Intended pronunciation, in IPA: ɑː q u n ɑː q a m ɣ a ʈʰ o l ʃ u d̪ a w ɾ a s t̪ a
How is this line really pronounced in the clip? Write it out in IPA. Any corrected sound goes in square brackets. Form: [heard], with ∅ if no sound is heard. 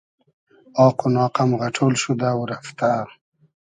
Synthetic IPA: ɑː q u n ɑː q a m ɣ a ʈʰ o l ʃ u d̪ a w ɾ a [f] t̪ a